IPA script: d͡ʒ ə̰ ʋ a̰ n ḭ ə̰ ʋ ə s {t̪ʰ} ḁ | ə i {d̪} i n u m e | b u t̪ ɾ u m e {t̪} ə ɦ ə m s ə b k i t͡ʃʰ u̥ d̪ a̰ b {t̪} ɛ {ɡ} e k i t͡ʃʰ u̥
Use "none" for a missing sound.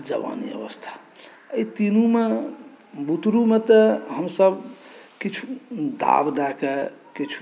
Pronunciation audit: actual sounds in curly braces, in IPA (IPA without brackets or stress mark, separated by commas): t̪ʰ, t̪, t̪, d̪, k